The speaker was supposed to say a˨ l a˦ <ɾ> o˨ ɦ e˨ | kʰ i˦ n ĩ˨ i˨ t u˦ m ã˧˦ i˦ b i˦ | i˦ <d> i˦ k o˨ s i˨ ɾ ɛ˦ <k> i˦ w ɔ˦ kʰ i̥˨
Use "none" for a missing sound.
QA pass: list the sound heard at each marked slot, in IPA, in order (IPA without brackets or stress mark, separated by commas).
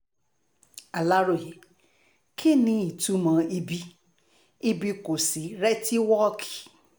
ɾ, b, t